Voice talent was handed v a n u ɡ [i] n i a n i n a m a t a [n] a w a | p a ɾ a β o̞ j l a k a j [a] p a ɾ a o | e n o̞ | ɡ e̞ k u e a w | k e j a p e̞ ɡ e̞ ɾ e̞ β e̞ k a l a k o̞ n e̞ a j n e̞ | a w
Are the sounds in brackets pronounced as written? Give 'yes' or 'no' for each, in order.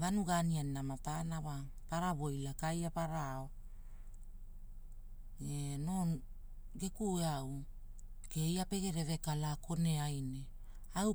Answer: no, yes, yes

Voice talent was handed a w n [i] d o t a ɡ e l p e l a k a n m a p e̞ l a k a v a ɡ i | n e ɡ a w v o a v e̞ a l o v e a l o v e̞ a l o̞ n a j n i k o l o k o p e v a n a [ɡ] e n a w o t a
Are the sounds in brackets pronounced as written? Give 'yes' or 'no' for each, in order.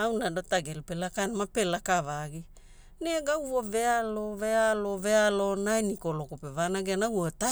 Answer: no, yes

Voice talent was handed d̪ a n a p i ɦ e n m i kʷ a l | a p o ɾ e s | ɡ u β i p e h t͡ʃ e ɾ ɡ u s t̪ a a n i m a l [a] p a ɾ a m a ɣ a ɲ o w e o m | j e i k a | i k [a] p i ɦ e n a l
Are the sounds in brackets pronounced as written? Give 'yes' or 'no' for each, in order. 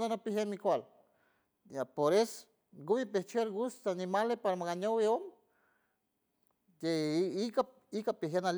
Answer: no, yes

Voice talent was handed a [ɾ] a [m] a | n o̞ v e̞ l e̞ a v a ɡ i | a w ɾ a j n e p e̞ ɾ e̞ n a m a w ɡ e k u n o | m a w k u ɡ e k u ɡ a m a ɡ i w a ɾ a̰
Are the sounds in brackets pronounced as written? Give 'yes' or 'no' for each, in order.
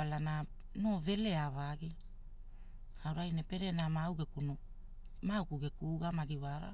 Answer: no, no

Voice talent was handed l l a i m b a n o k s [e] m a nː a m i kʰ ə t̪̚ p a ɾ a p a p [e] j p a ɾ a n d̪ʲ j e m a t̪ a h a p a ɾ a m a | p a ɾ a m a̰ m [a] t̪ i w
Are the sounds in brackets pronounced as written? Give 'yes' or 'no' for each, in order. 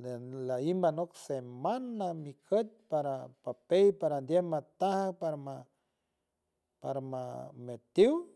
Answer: yes, yes, no

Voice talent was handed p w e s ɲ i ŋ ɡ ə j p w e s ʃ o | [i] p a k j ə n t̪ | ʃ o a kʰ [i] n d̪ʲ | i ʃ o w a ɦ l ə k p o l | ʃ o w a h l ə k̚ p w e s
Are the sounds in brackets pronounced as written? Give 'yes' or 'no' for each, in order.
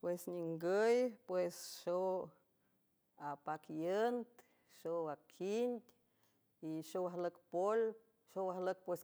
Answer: no, yes

